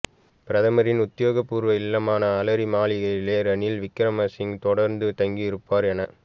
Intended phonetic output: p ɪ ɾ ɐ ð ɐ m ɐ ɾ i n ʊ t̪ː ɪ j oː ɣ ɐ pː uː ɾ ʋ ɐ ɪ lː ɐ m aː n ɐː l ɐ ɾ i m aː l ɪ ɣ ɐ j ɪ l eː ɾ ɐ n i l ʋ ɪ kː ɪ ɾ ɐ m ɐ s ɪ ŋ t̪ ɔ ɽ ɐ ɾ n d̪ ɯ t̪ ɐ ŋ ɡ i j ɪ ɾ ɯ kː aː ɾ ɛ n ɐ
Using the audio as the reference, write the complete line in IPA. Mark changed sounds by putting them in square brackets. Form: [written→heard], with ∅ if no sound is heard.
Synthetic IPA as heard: p ɪ ɾ ɐ ð ɐ m ɐ ɾ [i→ɪ] n ʊ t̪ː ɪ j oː ɣ ɐ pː uː ɾ ʋ ɐ ɪ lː ɐ m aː n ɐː l ɐ ɾ i m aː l ɪ ɣ ɐ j ɪ l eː ɾ ɐ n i l ʋ ɪ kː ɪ ɾ ɐ m ɐ s ɪ ŋ t̪ ɔ ɽ ɐ ɾ n d̪ ɯ t̪ ɐ ŋ ɡ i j ɪ ɾ ɯ [kː→pː] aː ɾ ɛ n ɐ